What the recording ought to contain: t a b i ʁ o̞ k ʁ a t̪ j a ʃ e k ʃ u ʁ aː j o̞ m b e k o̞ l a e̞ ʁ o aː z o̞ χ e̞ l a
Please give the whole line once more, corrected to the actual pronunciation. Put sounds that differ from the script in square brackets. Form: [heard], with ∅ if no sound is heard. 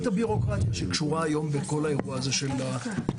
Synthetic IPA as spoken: t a b i ʁ o̞ k ʁ a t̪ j a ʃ e k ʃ u ʁ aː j o̞ m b e k o̞ l a e̞ ʁ [u] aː z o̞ [ʃ] e̞ l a